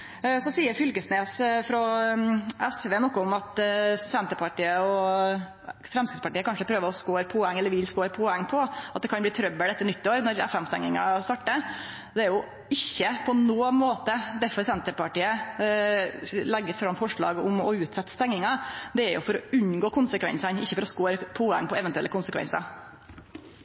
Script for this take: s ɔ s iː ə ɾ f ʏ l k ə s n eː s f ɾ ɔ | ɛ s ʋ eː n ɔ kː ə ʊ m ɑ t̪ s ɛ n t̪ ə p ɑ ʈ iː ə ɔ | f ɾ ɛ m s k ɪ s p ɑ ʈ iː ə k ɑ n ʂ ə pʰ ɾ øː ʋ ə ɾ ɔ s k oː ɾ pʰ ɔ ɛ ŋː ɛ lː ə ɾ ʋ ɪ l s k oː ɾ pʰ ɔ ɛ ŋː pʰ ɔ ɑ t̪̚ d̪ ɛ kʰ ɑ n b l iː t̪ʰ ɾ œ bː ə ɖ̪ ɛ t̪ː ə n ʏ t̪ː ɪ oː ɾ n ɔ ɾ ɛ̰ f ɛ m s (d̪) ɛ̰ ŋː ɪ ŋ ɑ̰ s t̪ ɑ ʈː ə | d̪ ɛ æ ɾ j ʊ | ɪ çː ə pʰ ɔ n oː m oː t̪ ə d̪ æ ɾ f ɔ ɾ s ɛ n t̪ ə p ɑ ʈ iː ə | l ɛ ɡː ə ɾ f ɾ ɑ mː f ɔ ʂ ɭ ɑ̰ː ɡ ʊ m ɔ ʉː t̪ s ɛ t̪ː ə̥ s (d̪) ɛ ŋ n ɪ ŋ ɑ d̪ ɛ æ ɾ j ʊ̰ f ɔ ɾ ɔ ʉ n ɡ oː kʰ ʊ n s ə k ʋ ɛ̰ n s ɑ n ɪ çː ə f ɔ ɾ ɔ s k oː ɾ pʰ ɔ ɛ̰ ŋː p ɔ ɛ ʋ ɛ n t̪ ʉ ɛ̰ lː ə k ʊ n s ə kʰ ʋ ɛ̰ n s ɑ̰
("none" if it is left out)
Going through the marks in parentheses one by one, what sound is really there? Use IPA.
t̪, t̪

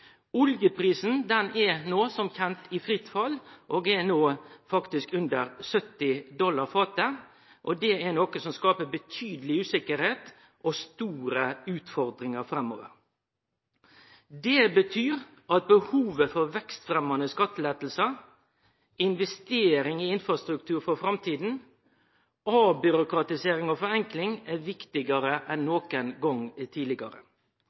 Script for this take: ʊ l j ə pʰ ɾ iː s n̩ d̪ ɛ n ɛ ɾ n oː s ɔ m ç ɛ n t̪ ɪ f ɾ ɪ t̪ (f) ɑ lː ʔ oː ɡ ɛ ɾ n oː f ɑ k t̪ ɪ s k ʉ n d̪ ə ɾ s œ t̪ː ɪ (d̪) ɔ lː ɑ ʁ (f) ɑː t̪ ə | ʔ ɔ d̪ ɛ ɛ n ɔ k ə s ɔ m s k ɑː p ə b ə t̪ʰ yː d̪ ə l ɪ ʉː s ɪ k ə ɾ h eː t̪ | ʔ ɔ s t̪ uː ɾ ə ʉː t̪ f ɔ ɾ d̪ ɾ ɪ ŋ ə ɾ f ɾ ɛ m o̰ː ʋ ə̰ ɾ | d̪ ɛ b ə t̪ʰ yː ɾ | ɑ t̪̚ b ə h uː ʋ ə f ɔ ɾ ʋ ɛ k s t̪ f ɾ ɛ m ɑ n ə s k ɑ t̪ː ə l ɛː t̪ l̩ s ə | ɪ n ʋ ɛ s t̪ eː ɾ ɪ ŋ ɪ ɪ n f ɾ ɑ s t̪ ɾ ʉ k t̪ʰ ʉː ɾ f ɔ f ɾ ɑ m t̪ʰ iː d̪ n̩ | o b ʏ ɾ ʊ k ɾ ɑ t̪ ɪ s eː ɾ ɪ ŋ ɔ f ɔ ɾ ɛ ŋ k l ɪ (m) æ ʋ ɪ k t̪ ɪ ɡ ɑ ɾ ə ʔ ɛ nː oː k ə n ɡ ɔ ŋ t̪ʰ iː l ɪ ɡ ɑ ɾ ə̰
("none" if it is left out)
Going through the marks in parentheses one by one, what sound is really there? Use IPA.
f, d̪, f, ŋ

